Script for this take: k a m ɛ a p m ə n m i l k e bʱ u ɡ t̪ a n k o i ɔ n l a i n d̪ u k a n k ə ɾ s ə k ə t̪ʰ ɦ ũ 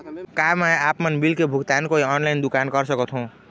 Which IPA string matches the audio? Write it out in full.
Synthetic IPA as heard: k a m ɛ a p m ə n b i l k e bʱ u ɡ t̪ a n k o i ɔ n l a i n d̪ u k a n k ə ɾ s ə k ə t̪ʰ ɦ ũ